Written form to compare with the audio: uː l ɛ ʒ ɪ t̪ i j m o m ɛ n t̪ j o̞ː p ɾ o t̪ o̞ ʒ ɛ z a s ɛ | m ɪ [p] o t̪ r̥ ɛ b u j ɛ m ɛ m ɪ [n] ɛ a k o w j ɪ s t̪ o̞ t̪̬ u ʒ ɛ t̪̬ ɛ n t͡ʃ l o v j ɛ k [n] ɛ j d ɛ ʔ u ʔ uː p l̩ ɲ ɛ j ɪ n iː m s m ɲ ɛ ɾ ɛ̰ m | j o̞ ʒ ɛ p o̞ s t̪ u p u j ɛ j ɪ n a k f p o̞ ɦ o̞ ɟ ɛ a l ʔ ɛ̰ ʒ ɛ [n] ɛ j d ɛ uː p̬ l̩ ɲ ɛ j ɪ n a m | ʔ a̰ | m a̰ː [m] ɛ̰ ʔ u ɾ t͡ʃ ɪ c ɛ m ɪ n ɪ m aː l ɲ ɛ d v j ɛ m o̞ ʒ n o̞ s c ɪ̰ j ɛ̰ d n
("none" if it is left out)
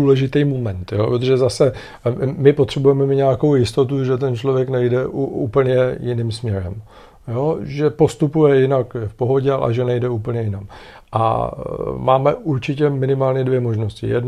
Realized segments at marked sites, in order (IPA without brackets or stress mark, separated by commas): p, ɲ, n, n, m